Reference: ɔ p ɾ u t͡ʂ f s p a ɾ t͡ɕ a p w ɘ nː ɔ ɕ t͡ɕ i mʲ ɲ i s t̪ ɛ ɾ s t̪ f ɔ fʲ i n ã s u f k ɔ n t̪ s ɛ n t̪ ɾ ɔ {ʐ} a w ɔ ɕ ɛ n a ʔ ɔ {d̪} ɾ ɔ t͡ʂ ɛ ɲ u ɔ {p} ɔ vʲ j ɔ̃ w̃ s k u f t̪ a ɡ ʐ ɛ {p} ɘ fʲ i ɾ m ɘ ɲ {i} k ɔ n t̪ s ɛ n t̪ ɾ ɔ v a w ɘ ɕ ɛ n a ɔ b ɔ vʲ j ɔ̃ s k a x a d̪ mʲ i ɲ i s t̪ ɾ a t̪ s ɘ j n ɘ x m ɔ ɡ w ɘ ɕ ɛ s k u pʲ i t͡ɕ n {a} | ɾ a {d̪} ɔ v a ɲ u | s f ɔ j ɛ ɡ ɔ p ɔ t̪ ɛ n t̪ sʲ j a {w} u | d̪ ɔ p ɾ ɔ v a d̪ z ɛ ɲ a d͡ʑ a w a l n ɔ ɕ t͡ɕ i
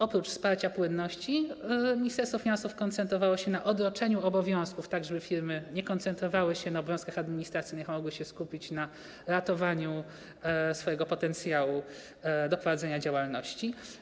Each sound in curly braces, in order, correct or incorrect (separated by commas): incorrect, correct, incorrect, incorrect, incorrect, correct, incorrect, correct